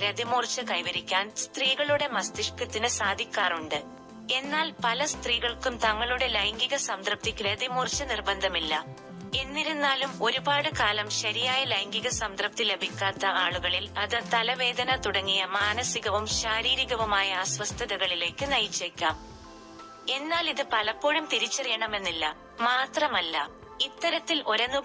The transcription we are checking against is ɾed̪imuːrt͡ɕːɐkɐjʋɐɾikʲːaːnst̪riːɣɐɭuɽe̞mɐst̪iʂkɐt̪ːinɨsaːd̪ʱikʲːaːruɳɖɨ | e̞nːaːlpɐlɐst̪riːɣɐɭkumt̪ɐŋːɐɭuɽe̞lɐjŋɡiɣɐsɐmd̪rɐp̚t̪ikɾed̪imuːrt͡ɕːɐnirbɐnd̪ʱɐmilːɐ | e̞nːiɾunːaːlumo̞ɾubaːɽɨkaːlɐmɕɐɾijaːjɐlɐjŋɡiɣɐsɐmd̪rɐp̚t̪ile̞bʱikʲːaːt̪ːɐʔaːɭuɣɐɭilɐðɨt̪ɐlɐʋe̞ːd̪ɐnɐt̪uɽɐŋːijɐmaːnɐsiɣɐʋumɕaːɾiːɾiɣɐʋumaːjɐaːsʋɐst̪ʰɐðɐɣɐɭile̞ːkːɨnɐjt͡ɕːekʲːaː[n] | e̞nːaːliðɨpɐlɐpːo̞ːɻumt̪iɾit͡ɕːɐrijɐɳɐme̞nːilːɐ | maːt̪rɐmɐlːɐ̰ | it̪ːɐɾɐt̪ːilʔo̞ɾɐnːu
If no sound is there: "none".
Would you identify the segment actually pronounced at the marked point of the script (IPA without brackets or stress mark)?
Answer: m